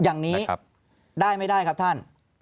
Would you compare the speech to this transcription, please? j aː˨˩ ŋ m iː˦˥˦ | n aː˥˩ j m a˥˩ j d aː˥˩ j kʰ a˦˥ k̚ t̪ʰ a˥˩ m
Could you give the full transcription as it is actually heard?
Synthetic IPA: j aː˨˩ ŋ n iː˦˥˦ | d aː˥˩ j m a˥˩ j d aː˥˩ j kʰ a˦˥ p̚ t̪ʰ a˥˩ n

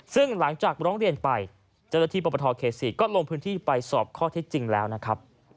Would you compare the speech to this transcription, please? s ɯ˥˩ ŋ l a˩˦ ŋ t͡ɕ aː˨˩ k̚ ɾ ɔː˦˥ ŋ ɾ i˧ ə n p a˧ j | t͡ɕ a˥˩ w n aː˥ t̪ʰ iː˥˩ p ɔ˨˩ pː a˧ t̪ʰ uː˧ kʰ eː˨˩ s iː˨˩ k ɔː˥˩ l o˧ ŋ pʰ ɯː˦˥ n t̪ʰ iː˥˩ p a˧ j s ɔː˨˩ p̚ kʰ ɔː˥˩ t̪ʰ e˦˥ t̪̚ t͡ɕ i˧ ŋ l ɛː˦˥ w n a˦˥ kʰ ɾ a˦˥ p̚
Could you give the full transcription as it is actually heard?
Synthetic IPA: s ɯ˥˩ ŋ l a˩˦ ŋ t͡ɕ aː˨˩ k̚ ɾ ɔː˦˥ ŋ ɾ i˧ ə n p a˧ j | t͡ɕ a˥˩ w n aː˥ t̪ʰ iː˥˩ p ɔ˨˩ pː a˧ t̪ʰ ɔː˧ kʰ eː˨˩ s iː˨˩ k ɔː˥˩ l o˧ ŋ pʰ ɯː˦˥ n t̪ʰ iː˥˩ p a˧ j s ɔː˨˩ p̚ kʰ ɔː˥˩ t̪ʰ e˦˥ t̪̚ t͡ɕ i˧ ŋ l ɛː˦˥ w n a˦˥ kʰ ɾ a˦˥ p̚

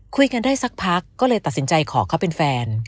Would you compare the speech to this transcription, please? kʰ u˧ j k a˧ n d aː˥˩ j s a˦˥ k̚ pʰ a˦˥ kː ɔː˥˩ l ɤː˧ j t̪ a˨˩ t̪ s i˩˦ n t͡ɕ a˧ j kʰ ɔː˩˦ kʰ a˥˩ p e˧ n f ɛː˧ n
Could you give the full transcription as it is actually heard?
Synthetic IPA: kʰ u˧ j k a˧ n d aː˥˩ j s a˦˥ k̚ pʰ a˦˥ kː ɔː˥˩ l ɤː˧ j t̪ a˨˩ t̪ s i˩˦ n t͡ɕ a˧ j kʰ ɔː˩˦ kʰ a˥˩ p e˧ n f ɛː˧ n

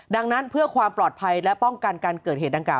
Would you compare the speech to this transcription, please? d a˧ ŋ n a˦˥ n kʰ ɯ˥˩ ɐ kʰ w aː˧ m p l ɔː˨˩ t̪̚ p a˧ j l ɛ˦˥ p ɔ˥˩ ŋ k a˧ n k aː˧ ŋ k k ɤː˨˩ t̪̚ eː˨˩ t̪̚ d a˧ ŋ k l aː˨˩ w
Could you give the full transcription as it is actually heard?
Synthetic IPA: d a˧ ŋ n a˦˥ n pʰ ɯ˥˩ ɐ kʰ w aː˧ m p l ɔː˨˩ t̪̚ pʰ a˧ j l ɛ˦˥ p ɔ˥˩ ŋ k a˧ n k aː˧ n k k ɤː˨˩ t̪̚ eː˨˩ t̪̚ d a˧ ŋ k l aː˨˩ w

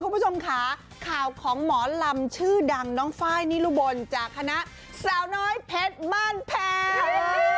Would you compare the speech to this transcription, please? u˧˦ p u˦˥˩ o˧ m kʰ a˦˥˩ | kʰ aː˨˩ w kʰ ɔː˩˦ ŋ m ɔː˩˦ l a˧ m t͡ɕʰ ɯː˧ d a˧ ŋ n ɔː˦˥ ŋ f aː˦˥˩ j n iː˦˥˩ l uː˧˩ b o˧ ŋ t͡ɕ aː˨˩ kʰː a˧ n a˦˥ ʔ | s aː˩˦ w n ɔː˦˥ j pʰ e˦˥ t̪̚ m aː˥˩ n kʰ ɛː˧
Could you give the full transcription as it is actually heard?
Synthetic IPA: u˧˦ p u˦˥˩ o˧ m kʰ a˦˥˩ | kʰ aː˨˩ w kʰ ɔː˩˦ ŋ m ɔː˩˦ l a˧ m t͡ɕʰ ɯː˥˩ d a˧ ŋ n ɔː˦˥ ŋ f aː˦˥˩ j n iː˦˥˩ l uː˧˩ b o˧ n t͡ɕ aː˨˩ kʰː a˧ n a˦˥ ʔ | s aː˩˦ w n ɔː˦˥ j pʰ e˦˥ t̪̚ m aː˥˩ n pʰ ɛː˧

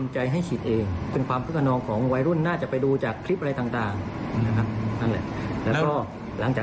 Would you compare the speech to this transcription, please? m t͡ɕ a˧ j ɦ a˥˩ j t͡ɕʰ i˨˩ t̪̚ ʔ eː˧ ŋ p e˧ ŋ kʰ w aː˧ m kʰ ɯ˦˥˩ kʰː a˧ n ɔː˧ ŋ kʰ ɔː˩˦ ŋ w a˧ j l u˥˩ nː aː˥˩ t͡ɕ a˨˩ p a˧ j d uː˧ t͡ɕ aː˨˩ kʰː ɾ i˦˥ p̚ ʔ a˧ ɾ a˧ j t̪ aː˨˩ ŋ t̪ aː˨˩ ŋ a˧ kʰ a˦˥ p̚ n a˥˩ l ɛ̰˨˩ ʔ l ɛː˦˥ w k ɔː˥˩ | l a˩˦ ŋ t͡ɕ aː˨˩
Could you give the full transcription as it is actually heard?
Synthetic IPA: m t͡ɕ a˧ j ɦ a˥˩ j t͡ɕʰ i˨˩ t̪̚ ʔ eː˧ ŋ p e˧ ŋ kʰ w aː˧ m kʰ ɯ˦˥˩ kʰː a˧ n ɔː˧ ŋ kʰ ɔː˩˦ ŋ w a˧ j ɾ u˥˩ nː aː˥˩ t͡ɕ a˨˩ p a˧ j d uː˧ t͡ɕ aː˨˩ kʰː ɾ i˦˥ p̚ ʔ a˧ ɾ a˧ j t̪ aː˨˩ ŋ t̪ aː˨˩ ŋ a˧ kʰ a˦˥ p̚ n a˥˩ l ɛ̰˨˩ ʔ l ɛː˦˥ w k ɔː˥˩ | l a˩˦ ŋ t͡ɕ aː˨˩

